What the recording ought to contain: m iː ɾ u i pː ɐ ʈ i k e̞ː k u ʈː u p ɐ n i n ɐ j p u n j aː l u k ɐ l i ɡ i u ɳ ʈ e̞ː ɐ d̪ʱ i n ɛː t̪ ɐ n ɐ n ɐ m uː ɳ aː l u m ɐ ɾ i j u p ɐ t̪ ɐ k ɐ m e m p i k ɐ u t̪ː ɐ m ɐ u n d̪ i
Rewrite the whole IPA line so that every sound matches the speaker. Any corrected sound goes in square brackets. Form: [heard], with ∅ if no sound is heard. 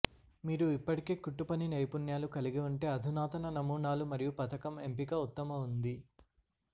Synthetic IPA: m iː ɾ u i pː ɐ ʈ i k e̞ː k u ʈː u p ɐ n i n ɐ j p u n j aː l u k ɐ l i ɡ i u ɳ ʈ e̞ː ɐ d̪ʱ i n [aː] t̪ ɐ n ɐ n ɐ m uː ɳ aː l u m ɐ ɾ i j u p ɐ t̪ ɐ k ɐ m e m p i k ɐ u t̪ː ɐ m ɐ u n d̪ i